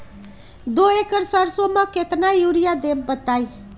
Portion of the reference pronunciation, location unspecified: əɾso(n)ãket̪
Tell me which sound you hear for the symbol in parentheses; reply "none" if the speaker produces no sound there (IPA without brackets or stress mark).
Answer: m